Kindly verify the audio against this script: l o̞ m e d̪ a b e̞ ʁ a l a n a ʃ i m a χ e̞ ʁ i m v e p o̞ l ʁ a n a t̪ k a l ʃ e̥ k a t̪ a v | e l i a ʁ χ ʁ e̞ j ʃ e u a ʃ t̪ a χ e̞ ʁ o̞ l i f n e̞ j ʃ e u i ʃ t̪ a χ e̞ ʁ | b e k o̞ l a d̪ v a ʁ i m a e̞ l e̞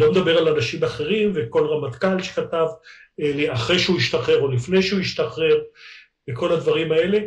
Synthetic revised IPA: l o̞ m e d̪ a b e̞ ʁ a l a n a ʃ i m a χ e̞ ʁ i m v e k o̞ l ʁ a m a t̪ k a l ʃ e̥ k a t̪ a v | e l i a χ ʁ e̞ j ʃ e u i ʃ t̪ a χ e̞ ʁ o̞ l i f n e̞ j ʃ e u i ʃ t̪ a χ e̞ ʁ | b e k o̞ l a d̪ v a ʁ i m a e̞ l e̞